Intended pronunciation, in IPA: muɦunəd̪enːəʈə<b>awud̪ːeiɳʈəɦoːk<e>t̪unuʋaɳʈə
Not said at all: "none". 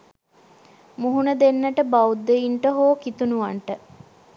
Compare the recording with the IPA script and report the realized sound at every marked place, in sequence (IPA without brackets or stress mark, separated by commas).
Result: b, i